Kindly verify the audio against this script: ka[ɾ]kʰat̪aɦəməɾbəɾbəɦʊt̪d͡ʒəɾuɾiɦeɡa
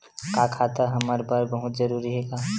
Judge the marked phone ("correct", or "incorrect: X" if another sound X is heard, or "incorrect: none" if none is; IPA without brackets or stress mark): incorrect: none